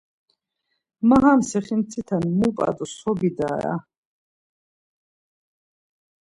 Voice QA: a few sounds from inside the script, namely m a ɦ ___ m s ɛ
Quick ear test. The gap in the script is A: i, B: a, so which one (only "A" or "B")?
B